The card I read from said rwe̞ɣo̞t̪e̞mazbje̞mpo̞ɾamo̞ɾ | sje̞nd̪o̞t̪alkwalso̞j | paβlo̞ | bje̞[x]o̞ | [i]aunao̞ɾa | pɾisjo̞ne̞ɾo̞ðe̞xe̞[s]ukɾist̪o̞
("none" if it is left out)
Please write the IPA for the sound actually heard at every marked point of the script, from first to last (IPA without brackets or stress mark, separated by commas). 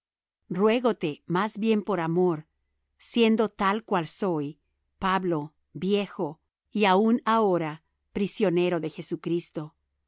x, i, s